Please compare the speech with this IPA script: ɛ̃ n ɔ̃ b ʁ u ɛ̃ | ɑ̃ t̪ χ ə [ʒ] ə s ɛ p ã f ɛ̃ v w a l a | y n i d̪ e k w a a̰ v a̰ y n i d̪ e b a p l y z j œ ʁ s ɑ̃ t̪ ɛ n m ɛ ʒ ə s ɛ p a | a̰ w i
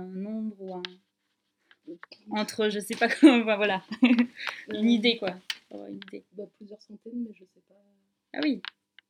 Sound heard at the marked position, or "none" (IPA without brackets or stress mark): ʒ